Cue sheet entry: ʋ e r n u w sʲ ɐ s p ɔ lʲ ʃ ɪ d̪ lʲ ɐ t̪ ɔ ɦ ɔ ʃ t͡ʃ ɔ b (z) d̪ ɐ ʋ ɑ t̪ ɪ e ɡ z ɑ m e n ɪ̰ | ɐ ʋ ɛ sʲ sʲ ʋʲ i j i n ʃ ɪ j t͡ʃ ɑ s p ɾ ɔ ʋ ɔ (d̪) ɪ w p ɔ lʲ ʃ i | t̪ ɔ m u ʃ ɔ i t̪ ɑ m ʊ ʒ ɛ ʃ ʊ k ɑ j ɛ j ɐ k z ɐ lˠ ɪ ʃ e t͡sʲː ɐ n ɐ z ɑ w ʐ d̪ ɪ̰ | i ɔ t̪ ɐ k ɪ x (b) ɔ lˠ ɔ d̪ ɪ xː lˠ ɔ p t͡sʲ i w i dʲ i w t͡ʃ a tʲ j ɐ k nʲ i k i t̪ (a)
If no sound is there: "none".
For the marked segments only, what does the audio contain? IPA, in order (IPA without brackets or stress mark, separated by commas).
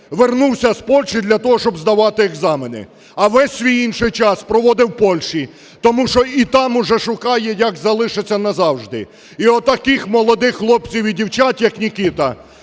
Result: z, d̪, m, ɐ